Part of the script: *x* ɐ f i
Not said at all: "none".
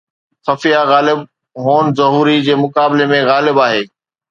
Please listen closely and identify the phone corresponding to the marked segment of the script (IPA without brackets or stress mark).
x